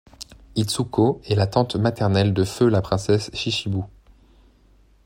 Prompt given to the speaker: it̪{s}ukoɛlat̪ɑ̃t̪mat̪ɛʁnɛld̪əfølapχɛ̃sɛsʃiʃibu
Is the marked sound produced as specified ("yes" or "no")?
yes